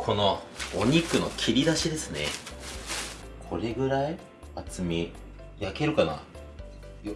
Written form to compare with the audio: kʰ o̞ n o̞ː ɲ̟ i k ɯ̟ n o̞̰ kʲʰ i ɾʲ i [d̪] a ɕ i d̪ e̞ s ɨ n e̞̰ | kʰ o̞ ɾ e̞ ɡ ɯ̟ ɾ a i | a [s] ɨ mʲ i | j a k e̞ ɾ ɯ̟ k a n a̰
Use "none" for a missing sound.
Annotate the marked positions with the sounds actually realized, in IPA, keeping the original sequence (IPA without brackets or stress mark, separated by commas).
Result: d̪, t͡s